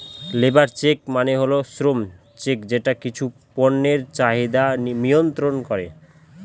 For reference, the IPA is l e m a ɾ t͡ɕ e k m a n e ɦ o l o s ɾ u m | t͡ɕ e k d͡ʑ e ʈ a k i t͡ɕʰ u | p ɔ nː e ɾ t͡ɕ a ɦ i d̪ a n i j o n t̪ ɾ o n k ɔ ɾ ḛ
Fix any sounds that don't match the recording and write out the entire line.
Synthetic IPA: l e b a ɾ t͡ɕ e k m a n e ɦ o l o s ɾ o m | t͡ɕ e k d͡ʑ e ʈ a k i t͡ɕʰ u | p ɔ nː e ɾ t͡ɕ a ɦ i d̪ a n i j o n t̪ ɾ o n k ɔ ɾ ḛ